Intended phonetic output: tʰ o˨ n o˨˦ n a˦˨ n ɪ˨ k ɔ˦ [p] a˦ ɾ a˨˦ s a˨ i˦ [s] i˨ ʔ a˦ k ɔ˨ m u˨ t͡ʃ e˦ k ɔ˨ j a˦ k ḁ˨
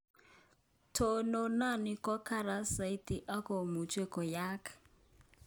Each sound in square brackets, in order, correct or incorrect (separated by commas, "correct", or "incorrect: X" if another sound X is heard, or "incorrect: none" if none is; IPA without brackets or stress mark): incorrect: k, incorrect: t